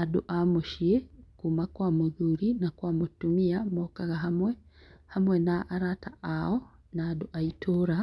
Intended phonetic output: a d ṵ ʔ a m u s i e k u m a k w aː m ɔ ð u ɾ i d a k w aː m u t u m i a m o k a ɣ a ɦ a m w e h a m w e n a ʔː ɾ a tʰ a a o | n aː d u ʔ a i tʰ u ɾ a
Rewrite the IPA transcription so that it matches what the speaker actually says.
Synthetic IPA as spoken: a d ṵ ʔ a m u ʃ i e k u m a k w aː m u ð u ɾ i n a k w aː m u t u m i a m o k a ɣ a ɦ a m w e h a m w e n a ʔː ɾ a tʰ a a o | n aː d u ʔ a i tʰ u ɾ a